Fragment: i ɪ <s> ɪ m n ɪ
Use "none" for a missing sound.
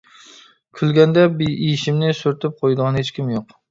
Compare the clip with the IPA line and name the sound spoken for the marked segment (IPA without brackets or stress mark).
ʃ